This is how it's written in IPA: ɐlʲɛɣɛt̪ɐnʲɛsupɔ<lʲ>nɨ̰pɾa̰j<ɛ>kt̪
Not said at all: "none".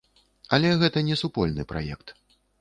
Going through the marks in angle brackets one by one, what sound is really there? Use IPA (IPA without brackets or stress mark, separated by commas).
lʲ, ɛ